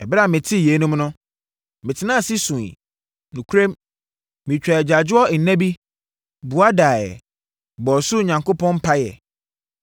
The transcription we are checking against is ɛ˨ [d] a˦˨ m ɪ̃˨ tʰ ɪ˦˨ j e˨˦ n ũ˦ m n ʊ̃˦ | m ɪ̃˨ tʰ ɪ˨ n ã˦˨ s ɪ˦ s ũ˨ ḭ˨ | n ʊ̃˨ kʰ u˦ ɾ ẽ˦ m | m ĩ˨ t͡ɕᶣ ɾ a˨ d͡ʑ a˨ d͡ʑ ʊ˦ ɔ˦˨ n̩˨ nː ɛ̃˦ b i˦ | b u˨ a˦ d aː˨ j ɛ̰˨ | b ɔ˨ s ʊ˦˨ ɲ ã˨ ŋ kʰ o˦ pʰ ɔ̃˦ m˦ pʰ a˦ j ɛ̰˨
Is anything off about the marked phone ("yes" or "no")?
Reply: yes